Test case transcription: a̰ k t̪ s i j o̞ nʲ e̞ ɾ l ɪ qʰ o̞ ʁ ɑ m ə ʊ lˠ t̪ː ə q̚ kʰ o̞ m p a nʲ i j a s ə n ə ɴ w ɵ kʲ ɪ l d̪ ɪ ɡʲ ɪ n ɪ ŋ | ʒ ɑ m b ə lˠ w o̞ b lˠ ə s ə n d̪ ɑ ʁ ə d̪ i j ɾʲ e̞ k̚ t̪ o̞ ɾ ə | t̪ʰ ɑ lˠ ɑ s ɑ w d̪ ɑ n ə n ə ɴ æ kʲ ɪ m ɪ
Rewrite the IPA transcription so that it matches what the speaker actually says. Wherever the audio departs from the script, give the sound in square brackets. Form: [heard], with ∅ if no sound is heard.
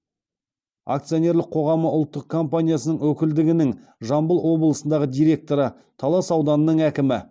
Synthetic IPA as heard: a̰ k t̪ s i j o̞ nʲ e̞ ɾ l ɪ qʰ o̞ ʁ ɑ m ə ʊ lˠ t̪ː ə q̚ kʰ o̞ m p a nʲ i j a s ə n ə ɴ w ɵ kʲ ɪ l d̪ ɪ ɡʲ ɪ n ɪ ŋ | ʒ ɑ m b ə lˠ w o̞ b lˠ ə s ə n d̪ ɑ ʁ ə d̪ i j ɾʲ e̞ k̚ t̪ o̞ ɾ ə | t̪ʰ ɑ lˠ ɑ s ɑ w d̪ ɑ n ə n ə ɴ æ kʲ ɪ m ɪ